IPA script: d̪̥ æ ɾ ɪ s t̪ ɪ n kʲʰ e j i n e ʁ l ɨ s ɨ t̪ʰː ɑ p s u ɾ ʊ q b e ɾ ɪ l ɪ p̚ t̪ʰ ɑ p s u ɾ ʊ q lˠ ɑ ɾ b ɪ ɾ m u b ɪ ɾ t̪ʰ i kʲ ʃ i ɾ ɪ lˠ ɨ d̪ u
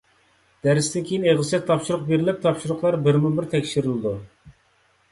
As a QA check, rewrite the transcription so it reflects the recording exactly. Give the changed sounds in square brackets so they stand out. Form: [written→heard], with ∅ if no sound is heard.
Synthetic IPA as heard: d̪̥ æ ɾ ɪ s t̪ ɪ n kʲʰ e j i n e ʁ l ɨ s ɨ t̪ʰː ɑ p [s→ʃ] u ɾ ʊ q b e ɾ ɪ l ɪ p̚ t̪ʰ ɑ p [s→ʃ] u ɾ ʊ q lˠ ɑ ɾ b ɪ ɾ m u b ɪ ɾ t̪ʰ [i→ɛ] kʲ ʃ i ɾ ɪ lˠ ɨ d̪ u